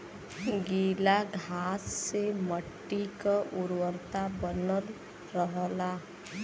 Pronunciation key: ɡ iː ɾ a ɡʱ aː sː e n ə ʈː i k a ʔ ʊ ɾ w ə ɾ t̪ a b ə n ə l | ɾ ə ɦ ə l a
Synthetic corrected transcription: ɡ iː l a ɡʱ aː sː e m ə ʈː i k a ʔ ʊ ɾ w ə ɾ t̪ a b ə n ə l | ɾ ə ɦ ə l a